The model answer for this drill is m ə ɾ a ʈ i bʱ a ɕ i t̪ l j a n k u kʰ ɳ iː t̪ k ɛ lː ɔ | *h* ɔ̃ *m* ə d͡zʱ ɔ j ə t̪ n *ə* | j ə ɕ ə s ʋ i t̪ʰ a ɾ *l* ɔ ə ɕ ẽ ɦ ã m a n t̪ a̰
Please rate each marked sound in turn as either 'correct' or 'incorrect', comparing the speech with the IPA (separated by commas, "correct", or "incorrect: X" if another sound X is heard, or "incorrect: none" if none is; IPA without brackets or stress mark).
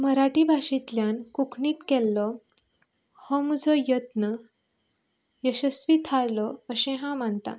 correct, correct, correct, correct